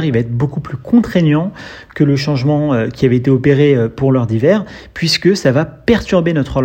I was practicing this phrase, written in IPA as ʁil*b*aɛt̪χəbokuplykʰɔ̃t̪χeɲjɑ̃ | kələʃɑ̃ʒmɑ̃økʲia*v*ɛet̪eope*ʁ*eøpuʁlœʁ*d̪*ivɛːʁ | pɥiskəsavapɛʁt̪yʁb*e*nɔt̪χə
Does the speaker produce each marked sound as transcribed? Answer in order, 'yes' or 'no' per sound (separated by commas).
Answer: no, yes, yes, yes, yes